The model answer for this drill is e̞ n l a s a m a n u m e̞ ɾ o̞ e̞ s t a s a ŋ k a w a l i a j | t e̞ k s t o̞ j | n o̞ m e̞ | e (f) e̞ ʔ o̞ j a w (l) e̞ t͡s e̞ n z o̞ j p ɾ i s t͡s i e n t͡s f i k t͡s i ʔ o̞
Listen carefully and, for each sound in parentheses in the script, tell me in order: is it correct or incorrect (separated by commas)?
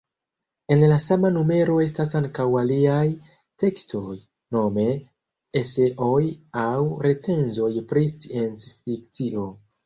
incorrect, incorrect